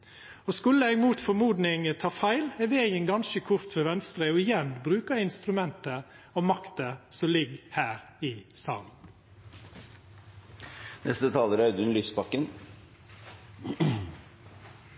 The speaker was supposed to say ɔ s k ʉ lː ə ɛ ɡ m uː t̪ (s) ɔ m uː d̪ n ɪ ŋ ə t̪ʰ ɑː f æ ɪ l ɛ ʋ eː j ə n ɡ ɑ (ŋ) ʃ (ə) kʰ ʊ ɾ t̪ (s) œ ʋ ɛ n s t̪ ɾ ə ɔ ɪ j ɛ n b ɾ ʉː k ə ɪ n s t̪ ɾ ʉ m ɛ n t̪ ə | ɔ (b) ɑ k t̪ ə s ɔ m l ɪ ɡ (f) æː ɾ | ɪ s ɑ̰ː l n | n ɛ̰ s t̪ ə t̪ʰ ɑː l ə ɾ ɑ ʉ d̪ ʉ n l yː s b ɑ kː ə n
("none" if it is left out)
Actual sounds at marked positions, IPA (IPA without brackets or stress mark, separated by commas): f, n, ə, f, m, h